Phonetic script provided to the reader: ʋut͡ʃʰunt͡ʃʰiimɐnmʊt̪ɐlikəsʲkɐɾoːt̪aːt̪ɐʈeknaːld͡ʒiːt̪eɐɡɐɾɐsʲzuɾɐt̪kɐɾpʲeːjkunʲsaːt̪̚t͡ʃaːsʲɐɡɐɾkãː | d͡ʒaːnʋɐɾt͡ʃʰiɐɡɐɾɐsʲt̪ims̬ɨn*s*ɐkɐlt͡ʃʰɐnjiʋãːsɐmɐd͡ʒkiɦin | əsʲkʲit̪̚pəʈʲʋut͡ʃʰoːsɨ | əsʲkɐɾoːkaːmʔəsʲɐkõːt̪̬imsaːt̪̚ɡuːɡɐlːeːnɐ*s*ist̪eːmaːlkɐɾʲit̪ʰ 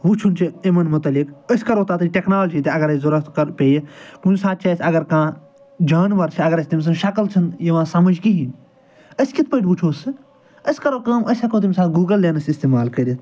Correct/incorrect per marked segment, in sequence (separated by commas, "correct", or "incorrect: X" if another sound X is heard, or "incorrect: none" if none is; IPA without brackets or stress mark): incorrect: ʃ, correct